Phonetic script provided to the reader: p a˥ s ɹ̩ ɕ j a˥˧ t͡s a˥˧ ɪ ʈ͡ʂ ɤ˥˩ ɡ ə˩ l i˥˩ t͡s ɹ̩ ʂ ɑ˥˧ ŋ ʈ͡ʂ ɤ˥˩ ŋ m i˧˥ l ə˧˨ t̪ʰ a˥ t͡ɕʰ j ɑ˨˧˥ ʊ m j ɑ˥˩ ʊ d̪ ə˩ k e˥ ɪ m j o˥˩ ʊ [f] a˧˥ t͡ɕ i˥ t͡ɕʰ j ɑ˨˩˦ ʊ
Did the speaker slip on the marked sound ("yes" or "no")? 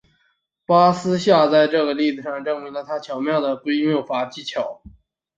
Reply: no